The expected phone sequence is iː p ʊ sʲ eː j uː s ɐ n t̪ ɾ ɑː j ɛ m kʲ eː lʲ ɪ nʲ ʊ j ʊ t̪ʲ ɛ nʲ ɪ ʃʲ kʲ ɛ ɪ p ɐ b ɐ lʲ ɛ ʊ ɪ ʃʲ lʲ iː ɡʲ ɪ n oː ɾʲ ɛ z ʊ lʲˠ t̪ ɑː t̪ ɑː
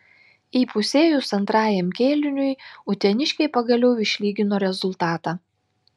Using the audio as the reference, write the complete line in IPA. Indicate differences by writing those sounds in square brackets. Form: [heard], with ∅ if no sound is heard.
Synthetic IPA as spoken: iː p ʊ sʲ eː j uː s ɐ n t̪ ɾ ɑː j ɛ m kʲ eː lʲ ɪ nʲ ʊ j ʊ t̪ʲ ɛ nʲ ɪ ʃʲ kʲ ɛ ɪ p ɐ [ɡ] ɐ lʲ ɛ ʊ ɪ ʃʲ lʲ iː ɡʲ ɪ n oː ɾʲ ɛ z ʊ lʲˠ t̪ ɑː t̪ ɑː